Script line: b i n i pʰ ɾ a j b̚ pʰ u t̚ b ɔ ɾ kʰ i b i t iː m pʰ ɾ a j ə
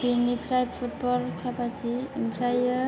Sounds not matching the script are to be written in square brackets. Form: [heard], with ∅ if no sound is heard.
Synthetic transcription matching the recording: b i n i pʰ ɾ a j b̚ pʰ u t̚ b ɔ [l] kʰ [a] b [a] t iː m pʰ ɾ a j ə